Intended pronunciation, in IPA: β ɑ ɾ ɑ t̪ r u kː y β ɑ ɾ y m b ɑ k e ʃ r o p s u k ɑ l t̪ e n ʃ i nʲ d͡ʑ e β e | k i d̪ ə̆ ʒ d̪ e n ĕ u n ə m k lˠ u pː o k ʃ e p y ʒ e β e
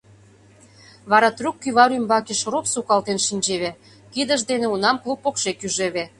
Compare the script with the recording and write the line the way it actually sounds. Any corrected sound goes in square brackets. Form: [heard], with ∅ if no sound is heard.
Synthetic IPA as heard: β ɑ ɾ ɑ t̪ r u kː y β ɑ ɾ y m b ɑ k e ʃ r o p s u k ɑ l t̪ e n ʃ i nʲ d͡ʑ e β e | k i d̪ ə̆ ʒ d̪ e n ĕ u n [ɑ] m k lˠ u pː o k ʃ e [k] y ʒ e β e